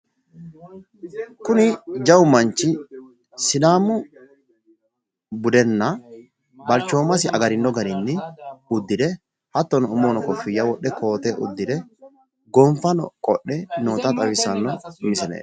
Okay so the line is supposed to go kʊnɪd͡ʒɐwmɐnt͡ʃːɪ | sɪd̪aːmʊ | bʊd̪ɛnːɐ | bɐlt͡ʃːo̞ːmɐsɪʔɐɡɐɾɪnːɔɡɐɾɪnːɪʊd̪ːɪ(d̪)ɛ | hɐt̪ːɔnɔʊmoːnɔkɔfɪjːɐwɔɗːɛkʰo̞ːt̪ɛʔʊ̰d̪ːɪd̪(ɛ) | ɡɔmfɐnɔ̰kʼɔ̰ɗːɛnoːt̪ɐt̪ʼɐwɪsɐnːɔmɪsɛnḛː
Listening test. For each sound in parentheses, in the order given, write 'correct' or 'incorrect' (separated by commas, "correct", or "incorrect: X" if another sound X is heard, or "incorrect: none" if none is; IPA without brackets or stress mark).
correct, correct